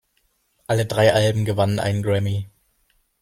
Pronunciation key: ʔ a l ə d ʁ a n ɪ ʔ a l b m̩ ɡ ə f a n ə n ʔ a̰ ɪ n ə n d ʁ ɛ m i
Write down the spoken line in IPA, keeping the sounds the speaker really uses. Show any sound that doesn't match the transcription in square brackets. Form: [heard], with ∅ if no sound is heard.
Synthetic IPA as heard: ʔ a l ə d ʁ a [∅] ɪ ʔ a l b m̩ ɡ ə [v] a n ə n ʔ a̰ ɪ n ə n [ɡ] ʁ ɛ m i